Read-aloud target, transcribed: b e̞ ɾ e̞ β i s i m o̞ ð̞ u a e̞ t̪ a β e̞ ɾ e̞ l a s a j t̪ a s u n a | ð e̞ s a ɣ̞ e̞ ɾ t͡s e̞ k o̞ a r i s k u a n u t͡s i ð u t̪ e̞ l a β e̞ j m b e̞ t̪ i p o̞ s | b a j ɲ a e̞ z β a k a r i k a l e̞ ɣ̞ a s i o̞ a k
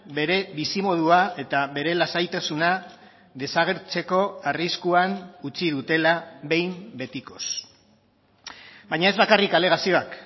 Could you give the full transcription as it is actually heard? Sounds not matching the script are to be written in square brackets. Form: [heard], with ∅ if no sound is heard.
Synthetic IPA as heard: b e̞ ɾ e̞ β i s i m o̞ ð̞ u a e̞ t̪ a β e̞ ɾ e̞ l a s a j t̪ a s u n a | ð e̞ s a ɣ̞ e̞ ɾ t͡s e̞ k o̞ a r i s k u a n u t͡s i ð u t̪ e̞ l a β e̞ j m b e̞ t̪ i [k] o̞ s | b a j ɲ a e̞ z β a k a r i k a l e̞ ɣ̞ a s i o̞ a k